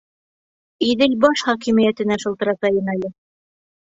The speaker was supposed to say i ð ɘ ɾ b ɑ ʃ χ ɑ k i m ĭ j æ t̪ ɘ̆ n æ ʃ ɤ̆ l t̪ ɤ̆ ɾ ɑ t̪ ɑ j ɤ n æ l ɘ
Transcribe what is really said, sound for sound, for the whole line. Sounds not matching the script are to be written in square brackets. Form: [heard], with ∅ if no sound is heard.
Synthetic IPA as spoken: i ð ɘ [l] b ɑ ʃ χ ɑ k i m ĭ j æ t̪ ɘ̆ n æ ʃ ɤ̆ l t̪ ɤ̆ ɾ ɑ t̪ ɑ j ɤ n æ l ɘ